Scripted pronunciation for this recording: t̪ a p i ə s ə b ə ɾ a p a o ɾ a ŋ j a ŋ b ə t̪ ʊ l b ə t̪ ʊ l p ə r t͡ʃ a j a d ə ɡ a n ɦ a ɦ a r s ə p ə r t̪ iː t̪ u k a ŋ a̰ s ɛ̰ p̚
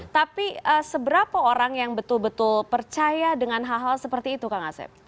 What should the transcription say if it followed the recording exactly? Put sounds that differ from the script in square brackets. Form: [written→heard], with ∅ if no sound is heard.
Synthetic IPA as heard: t̪ a p i ə s ə b ə ɾ a p a o ɾ a ŋ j a ŋ b ə t̪ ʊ l b ə t̪ ʊ l p ə r t͡ʃ a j a d ə [ɡ→ŋ] a n ɦ a ɦ a [r→l] s ə p ə r t̪ iː t̪ u k a ŋ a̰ s ɛ̰ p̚